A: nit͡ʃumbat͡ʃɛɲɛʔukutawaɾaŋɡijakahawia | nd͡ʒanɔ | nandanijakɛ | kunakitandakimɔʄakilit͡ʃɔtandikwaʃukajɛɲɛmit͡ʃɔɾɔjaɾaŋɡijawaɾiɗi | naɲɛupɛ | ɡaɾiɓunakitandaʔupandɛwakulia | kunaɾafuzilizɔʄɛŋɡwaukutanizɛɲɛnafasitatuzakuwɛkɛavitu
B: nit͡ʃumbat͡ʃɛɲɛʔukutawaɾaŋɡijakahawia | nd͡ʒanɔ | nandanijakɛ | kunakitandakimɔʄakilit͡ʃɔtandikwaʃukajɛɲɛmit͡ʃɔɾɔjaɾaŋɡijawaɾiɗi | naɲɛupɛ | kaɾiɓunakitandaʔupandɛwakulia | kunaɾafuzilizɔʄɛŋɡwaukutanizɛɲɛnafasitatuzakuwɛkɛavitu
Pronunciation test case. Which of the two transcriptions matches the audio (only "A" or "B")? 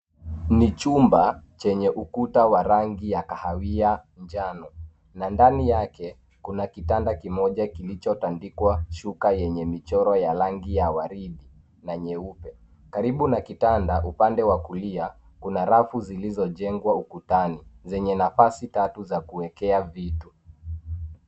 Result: B